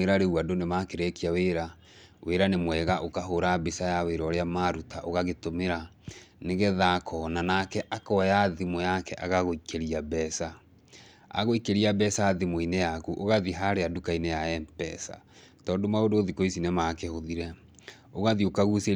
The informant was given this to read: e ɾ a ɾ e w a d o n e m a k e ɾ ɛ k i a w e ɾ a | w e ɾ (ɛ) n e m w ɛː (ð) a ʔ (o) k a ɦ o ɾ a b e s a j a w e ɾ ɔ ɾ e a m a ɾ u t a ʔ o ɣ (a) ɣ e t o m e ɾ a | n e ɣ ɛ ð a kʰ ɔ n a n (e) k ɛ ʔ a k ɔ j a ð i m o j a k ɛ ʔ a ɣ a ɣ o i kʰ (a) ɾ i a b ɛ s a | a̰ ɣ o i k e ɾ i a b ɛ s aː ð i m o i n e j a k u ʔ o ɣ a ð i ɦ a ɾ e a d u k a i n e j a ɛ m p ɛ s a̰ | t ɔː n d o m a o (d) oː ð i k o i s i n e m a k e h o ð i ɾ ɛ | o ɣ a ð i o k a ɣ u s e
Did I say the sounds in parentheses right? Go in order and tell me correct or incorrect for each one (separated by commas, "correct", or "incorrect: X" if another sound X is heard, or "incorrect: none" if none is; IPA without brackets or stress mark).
incorrect: a, incorrect: ɣ, correct, correct, incorrect: a, incorrect: e, correct